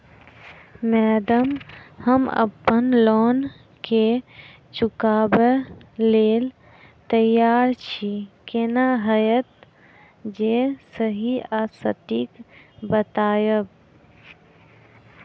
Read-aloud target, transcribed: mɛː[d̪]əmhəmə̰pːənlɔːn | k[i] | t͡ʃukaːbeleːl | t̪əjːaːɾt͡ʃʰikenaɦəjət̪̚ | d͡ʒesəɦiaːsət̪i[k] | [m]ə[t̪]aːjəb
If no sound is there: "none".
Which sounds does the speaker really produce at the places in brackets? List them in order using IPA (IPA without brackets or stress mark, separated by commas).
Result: d̪, e, k, b, t̪